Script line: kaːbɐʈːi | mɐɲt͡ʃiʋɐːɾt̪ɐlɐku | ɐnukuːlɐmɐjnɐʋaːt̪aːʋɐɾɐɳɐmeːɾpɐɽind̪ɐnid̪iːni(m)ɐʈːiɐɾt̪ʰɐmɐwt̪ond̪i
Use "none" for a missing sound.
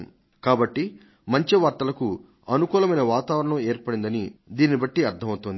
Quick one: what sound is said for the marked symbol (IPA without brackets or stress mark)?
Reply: b